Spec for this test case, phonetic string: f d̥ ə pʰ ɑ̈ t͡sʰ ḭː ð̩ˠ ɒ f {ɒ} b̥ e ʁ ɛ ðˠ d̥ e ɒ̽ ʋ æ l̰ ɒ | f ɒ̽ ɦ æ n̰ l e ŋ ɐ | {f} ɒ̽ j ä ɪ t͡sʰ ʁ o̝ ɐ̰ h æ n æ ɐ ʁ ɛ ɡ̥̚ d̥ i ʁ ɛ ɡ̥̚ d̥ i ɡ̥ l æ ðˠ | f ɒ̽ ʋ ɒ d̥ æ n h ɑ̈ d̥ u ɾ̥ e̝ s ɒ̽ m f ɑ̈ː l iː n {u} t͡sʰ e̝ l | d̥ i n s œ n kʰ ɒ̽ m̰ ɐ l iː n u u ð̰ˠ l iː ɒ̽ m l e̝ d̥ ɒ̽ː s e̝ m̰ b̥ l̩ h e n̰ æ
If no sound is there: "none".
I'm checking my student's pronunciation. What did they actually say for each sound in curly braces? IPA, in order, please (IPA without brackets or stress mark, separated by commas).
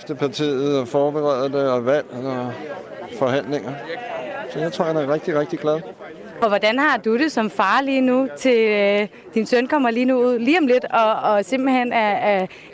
ɒː, s, u